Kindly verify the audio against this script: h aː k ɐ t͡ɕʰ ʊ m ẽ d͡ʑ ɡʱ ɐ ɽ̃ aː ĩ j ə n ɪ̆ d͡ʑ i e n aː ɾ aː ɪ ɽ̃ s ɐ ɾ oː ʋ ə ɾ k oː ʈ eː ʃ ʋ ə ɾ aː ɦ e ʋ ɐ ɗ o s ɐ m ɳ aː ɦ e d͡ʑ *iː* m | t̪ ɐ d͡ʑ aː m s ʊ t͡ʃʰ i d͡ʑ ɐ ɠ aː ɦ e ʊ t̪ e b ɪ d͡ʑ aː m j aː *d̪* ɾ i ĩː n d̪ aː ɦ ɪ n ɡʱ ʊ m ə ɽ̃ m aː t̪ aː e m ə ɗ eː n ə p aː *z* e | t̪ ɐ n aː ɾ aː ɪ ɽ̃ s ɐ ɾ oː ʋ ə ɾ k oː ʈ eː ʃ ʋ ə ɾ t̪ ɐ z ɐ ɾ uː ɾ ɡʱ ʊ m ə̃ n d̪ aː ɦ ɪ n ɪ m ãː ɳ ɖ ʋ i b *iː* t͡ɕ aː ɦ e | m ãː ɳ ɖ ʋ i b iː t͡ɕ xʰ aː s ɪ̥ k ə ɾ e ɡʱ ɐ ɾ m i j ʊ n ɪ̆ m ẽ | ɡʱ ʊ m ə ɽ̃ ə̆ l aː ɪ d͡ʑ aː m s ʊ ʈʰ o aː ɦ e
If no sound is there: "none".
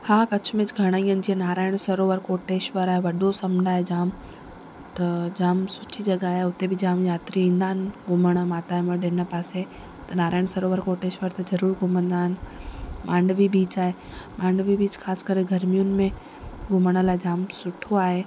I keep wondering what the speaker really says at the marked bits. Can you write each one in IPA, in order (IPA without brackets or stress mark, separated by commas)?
aː, t̪, s, iː